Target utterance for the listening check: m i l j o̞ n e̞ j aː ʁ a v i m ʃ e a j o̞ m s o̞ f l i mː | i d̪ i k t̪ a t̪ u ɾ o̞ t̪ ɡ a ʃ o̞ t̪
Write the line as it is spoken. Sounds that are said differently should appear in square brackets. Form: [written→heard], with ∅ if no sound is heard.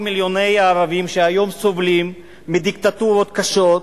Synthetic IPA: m i l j o̞ n e̞ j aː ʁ a v i m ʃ e a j o̞ m s o̞ [f→v] l i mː | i d̪ i k t̪ a t̪ u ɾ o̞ t̪ [ɡ→k] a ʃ o̞ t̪